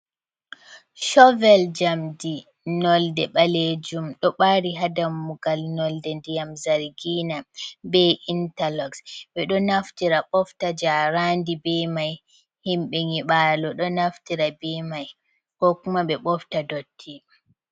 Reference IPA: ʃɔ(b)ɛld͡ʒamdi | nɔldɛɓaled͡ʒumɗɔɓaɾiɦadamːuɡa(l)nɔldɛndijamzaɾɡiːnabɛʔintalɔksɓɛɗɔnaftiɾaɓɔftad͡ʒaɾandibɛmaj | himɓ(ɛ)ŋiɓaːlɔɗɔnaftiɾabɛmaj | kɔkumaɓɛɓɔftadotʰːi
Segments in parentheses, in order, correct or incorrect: incorrect: v, correct, correct

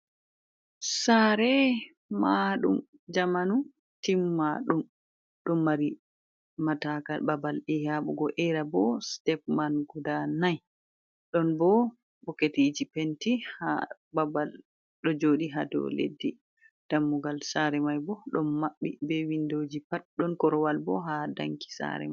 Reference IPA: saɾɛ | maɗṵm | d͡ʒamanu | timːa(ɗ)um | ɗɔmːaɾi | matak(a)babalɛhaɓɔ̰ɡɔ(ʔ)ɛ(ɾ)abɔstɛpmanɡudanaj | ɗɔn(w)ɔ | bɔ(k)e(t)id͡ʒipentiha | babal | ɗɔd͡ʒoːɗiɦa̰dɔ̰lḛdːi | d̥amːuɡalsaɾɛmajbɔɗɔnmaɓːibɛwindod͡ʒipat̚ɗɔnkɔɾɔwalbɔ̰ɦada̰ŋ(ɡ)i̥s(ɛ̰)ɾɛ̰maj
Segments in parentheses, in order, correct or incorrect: correct, correct, correct, correct, incorrect: b, correct, correct, incorrect: k, incorrect: a̰

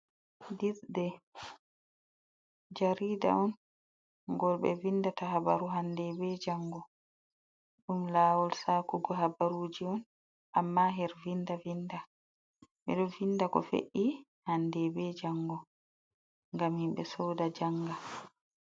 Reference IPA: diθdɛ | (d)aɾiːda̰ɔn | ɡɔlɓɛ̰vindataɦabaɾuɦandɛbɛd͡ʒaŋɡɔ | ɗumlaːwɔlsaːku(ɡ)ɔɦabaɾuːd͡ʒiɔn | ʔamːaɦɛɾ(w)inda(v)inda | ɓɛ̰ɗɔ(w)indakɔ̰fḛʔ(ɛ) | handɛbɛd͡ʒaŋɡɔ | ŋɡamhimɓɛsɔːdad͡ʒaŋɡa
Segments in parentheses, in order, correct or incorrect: incorrect: d͡ʒ, correct, incorrect: v, correct, incorrect: v, incorrect: i

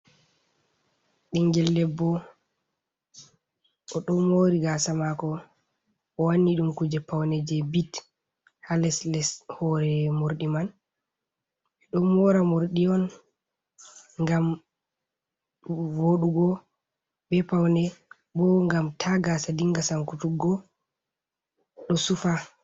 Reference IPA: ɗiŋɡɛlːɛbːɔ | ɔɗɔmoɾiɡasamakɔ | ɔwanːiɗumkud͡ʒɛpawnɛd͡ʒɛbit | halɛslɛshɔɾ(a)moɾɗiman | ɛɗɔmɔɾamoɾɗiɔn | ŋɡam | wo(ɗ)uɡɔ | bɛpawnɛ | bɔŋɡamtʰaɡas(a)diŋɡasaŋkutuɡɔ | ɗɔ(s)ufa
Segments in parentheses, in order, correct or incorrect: incorrect: ɛ, correct, correct, correct

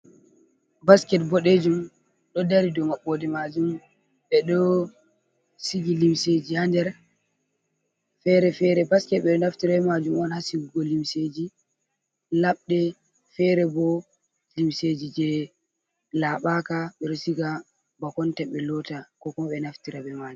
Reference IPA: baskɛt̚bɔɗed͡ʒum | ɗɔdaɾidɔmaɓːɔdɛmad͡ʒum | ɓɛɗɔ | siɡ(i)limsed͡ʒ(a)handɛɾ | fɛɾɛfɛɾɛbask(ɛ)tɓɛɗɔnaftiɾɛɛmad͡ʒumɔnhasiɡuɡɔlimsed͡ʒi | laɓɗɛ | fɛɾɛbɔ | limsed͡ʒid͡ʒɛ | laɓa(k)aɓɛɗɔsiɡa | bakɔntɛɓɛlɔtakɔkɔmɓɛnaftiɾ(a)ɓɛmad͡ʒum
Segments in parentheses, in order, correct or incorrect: correct, incorrect: i, correct, correct, correct

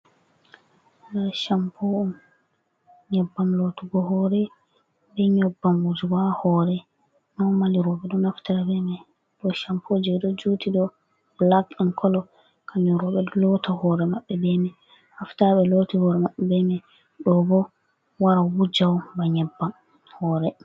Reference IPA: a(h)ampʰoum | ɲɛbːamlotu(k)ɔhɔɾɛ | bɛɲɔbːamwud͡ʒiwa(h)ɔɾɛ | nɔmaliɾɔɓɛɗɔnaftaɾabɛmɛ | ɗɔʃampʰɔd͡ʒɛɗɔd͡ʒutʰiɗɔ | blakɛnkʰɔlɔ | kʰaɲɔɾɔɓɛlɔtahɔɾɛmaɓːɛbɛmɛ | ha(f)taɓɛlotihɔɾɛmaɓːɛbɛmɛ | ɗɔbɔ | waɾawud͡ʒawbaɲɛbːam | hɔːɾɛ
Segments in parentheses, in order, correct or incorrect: incorrect: ʃ, incorrect: ɡ, correct, correct

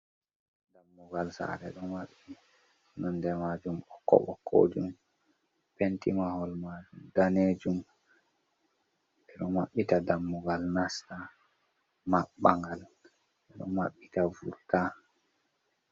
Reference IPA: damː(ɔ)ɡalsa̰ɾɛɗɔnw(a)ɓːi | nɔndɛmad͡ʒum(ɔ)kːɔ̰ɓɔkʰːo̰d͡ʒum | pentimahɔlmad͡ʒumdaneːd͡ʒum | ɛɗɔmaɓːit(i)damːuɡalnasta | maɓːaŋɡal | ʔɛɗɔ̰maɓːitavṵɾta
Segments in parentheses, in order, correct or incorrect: incorrect: u, correct, correct, incorrect: a

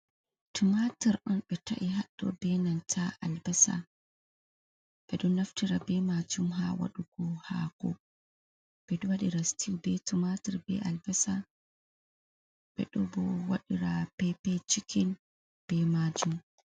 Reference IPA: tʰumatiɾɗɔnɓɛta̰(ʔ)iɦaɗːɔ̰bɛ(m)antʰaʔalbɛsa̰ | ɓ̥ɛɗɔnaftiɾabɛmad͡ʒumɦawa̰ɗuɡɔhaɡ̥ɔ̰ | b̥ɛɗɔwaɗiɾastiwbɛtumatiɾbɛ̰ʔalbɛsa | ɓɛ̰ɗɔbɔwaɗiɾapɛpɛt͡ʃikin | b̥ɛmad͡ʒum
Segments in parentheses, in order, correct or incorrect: correct, incorrect: n

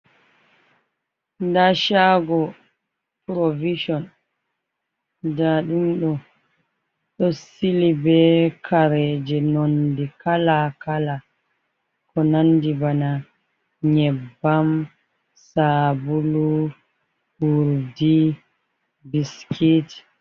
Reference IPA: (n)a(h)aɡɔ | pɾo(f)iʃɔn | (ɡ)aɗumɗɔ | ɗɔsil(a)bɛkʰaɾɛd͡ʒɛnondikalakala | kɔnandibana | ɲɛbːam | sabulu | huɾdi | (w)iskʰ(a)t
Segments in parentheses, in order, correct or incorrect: incorrect: d, incorrect: ʃ, incorrect: v, incorrect: d, incorrect: i, incorrect: b, incorrect: i

